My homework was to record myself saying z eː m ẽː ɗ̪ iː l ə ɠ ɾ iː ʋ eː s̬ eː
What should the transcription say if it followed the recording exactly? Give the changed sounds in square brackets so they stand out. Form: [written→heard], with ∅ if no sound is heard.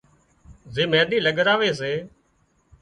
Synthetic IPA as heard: z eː m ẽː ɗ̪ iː l ə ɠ ɾ [iː→aː] ʋ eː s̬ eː